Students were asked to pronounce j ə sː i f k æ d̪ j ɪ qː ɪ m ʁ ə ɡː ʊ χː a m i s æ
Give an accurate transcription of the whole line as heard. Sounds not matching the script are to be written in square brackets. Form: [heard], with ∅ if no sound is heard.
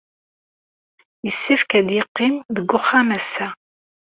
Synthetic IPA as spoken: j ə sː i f k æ d̪ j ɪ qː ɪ m [ð] ə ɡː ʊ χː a m [æ] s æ